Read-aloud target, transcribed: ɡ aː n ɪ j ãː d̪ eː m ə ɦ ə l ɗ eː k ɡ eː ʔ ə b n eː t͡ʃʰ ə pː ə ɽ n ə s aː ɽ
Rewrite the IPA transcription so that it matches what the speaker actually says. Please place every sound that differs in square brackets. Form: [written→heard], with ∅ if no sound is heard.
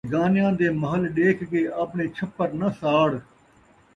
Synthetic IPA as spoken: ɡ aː n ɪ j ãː d̪ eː m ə ɦ ə l ɗ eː k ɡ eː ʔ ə [b→p] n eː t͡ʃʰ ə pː ə [ɽ→ɾ] n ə s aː ɽ